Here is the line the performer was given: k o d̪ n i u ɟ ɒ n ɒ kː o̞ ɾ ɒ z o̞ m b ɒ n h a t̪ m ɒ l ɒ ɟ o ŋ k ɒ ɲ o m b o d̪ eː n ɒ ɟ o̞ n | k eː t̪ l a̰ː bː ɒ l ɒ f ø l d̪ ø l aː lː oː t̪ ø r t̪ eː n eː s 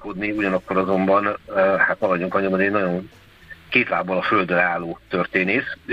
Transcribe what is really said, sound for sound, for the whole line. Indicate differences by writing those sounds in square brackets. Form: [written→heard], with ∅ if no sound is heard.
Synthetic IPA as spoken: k o d̪ n i u ɟ ɒ n ɒ kː o̞ ɾ ɒ z o̞ m b ɒ n h a t̪ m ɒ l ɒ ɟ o ŋ k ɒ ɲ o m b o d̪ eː n ɒ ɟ o̞ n | k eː t̪ l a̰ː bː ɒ l ɒ f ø l d̪ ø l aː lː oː t̪ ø r t̪ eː n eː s